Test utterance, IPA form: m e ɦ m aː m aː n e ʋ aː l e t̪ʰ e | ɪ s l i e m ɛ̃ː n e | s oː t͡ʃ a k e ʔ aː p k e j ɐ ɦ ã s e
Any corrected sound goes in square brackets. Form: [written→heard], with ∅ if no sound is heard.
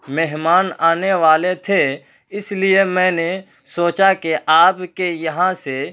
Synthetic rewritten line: m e ɦ m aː [m→n] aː n e ʋ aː l e t̪ʰ e | ɪ s l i e m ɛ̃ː n e | s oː t͡ʃ a k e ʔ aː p k e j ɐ ɦ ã s e